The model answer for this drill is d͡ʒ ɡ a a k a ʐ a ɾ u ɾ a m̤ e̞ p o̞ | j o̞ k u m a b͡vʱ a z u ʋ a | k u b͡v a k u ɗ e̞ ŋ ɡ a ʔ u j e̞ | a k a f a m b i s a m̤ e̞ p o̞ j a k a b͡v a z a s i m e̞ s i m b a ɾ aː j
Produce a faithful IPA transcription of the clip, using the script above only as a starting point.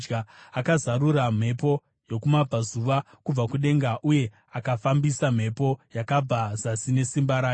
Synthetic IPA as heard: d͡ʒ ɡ a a k a z a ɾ u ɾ a m̤ e̞ p o̞ | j o̞ k u m a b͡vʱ a z u ʋ a | k u b͡v a k u ɗ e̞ ŋ ɡ a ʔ u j e̞ | a k a f a m b i s a m̤ e̞ p o̞ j a k a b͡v a z a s i n e̞ s i m b a ɾ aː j